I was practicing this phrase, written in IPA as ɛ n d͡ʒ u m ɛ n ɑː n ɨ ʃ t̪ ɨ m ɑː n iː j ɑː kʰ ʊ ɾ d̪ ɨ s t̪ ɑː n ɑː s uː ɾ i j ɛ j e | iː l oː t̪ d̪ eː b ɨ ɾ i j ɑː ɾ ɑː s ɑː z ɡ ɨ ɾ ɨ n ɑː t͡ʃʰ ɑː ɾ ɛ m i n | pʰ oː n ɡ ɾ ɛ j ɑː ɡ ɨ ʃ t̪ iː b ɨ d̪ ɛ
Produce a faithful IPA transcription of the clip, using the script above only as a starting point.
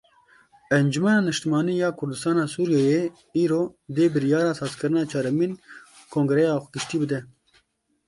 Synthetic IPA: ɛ n d͡ʒ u m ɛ n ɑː n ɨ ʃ t̪ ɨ m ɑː n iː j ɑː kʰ ʊ ɾ d̪ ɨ s t̪ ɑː n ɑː s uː ɾ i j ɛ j e | iː ɾ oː d̪ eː b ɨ ɾ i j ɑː ɾ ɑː s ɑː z k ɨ ɾ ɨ n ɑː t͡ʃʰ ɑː ɾ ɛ m i n | kʰ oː ŋ ɡ ɾ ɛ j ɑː ɡ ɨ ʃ t̪ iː b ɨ d̪ ɛ